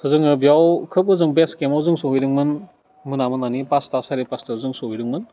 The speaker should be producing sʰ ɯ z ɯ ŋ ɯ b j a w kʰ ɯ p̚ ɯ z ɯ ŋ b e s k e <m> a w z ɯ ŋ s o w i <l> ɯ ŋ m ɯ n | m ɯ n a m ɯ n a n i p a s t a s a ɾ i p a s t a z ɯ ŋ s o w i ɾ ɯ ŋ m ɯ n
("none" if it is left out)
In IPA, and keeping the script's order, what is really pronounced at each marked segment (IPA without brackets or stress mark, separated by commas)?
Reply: m, ɾ